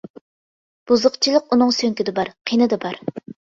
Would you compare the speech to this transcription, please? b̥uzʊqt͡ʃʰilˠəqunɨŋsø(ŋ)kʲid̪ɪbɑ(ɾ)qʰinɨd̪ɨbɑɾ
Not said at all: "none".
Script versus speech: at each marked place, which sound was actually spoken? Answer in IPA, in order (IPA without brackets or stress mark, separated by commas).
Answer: ŋ, ɾ